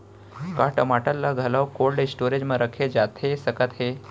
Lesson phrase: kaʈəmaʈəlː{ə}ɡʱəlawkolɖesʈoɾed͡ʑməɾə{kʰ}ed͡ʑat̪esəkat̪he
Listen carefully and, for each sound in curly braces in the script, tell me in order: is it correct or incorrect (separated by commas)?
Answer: incorrect, correct